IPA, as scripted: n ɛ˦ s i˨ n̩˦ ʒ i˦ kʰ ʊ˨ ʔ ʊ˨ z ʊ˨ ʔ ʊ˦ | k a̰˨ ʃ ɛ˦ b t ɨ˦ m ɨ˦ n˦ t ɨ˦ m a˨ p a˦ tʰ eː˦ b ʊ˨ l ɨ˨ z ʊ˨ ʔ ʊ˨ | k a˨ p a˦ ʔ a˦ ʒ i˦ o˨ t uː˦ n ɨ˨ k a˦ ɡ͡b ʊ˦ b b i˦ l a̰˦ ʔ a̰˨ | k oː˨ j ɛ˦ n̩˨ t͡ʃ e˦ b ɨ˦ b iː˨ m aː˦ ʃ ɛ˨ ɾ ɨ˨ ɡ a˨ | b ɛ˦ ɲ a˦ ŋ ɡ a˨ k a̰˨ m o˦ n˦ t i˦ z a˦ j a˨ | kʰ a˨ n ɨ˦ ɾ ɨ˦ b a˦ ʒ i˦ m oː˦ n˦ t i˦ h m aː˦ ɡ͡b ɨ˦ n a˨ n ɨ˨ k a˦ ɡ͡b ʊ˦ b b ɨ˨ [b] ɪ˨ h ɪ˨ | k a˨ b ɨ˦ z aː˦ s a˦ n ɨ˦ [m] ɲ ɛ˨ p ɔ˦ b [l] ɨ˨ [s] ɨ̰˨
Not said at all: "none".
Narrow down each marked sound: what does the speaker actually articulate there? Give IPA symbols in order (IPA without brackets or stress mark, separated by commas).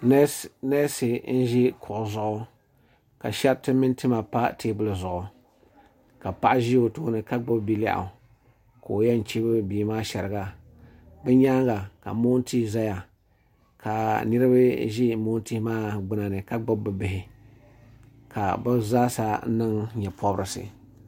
b, ŋ, ɾ, s